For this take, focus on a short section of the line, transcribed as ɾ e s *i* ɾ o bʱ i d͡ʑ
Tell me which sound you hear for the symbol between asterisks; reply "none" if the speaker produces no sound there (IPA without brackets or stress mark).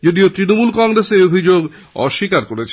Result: e